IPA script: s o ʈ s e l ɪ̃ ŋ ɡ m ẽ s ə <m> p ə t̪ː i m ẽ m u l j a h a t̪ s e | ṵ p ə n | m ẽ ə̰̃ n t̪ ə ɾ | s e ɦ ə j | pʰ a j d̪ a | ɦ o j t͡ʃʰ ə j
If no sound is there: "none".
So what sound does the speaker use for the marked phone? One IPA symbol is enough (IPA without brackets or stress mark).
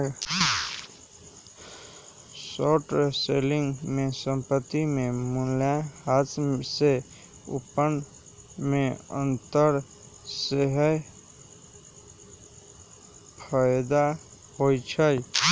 m